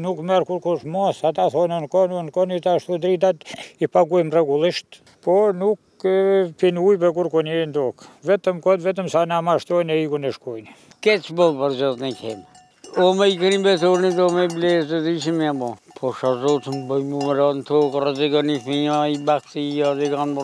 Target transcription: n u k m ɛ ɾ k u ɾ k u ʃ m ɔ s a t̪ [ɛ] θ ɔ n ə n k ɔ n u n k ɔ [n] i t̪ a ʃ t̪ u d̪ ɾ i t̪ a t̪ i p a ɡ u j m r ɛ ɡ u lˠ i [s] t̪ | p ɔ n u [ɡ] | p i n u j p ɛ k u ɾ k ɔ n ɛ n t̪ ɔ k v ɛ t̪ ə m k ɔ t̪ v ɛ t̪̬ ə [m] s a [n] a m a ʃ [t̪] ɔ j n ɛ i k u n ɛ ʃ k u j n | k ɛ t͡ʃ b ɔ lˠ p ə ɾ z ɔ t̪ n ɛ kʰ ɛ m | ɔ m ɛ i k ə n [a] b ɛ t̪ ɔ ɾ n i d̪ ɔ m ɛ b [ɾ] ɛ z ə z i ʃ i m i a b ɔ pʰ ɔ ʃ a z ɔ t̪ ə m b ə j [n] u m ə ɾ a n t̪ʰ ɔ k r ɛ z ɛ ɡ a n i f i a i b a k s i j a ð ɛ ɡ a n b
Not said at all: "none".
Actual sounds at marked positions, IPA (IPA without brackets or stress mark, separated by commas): a, n, ʃ, k, m, n, t̪, i, l, m